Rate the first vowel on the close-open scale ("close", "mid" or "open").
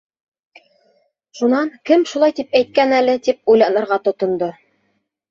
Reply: close